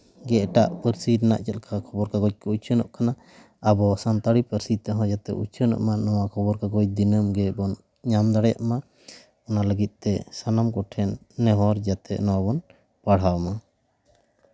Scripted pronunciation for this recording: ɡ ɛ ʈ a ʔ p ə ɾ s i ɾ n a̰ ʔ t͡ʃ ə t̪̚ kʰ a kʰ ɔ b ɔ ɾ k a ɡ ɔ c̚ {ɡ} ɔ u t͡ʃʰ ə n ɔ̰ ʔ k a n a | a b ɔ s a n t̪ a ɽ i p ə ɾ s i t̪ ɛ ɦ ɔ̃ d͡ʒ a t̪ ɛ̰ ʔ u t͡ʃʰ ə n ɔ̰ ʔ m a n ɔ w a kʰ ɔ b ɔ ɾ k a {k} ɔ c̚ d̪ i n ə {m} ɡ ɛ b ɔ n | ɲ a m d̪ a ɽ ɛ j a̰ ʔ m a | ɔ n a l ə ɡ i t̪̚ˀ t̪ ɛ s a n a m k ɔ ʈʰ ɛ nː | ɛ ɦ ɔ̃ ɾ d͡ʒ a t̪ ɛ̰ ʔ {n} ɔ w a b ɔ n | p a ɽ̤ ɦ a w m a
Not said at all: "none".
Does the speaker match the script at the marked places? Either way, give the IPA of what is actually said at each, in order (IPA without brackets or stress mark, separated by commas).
k, ɡ, m, n